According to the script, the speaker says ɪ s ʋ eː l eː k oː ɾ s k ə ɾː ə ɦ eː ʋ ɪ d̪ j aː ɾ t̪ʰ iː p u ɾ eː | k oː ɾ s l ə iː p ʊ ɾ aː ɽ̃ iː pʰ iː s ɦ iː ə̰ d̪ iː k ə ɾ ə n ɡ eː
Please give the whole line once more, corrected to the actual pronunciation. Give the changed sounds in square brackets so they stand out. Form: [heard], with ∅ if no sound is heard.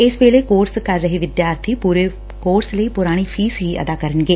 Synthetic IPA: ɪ s ʋ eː l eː k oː ɾ s k ə ɾː ə ɦ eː ʋ ɪ d̪ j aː ɾ t̪ʰ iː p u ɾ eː | k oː ɾ s l ə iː p ʊ ɾ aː ɽ̃ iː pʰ iː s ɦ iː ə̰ d̪ [aː] k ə ɾ ə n ɡ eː